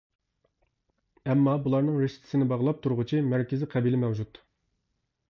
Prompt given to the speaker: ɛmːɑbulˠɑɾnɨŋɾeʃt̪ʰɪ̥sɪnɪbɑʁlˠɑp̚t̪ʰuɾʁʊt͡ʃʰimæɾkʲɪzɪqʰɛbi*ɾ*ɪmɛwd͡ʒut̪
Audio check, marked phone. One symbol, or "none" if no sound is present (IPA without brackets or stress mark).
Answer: l